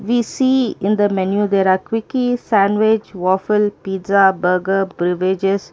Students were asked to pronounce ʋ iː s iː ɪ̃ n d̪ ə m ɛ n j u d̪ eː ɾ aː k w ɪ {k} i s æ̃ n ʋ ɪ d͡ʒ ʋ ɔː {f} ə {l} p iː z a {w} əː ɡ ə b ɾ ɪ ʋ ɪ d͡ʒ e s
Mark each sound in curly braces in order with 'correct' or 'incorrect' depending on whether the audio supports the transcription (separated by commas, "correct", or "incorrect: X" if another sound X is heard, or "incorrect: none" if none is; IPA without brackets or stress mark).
correct, correct, correct, incorrect: b